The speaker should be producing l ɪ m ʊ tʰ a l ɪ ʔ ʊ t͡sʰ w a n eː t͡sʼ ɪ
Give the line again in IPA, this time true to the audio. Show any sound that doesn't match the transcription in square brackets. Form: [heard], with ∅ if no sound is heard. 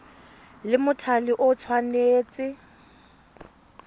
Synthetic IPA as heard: l ɪ m ʊ tʰ a l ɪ ʔ ʊ t͡sʰ w a n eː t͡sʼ ɪ